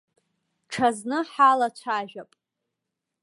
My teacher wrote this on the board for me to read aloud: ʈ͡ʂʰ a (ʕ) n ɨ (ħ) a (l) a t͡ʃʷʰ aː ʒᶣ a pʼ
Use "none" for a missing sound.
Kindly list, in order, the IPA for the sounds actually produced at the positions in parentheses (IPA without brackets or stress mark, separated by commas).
z, ħ, l